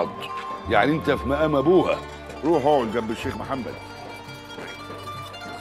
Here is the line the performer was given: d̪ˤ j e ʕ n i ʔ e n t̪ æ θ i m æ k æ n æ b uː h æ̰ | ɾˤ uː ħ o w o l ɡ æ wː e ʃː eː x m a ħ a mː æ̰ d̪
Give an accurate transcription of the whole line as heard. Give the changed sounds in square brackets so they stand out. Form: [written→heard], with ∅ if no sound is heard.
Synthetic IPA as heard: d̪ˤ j [e→a] ʕ n i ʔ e n t̪ æ [θ→f] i m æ [k→ʔ] æ [n→m] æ b uː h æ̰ | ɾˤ uː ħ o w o l ɡ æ [wː→bː] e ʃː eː x m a ħ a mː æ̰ d̪